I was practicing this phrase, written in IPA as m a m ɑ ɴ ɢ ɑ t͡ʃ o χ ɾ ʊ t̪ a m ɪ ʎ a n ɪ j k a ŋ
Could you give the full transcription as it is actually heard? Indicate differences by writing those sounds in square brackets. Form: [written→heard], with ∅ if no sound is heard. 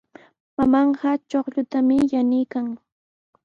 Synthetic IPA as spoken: m a m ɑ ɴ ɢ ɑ t͡ʃ o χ [ɾ→ʎ] ʊ t̪ a m ɪ [ʎ→j] a n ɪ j k a ŋ